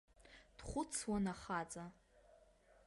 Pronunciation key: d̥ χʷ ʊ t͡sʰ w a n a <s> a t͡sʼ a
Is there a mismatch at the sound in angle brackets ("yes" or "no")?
yes